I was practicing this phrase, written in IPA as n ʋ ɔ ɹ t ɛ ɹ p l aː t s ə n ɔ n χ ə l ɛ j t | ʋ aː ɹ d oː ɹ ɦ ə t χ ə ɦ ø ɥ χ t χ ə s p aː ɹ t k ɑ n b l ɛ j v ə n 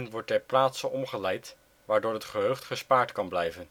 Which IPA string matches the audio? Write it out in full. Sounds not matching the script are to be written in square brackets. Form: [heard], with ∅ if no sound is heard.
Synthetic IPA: n ʋ ɔ ɹ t ɛ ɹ p l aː t s ə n ɔ [m] χ ə l ɛ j t | ʋ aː ɹ d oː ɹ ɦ ə t χ ə ɦ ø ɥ χ t χ ə s p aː ɹ t k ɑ n b l ɛ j v ə n

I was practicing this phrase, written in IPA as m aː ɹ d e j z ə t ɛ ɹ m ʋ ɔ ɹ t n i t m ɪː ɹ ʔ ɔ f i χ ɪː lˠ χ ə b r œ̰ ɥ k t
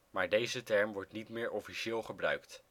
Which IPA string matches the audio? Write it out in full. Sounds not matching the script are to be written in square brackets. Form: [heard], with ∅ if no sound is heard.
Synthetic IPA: m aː ɹ d e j z ə t ɛ ɹ m ʋ ɔ ɹ t n i t m ɪː ɹ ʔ ɔ f i [ʃ] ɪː lˠ χ ə b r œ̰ ɥ k t

